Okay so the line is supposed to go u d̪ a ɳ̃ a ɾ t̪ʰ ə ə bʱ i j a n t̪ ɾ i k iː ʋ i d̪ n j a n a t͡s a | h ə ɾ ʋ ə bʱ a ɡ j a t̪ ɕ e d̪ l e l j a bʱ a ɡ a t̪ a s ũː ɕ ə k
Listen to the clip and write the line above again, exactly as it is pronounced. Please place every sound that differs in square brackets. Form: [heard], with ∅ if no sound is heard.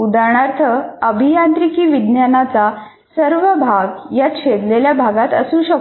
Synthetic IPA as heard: u d̪ a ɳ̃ a ɾ t̪ʰ ə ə bʱ i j a n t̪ ɾ i k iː ʋ i d̪ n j a n a t͡s a | [s] ə ɾ ʋ ə bʱ a ɡ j a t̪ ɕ e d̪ l e l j a bʱ a ɡ a t̪ [ə] s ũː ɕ ə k